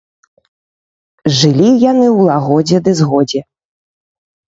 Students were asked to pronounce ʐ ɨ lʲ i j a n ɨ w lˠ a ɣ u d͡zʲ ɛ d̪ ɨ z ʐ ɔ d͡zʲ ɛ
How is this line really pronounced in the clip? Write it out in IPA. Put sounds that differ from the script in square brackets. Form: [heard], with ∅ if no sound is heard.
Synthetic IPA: ʐ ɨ lʲ i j a n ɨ w lˠ a ɣ [ɔ] d͡zʲ ɛ d̪ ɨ z [ɣ] ɔ d͡zʲ ɛ